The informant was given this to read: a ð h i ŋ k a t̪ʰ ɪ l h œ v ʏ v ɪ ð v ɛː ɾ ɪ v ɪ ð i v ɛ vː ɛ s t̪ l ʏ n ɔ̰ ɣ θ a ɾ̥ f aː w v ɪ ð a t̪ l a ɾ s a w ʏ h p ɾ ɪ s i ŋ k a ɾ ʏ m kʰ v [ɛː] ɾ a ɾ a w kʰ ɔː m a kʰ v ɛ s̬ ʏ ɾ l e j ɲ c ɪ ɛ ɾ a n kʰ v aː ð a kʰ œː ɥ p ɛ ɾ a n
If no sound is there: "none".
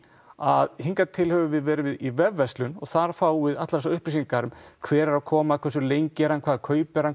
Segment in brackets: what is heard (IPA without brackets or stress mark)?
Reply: ɛː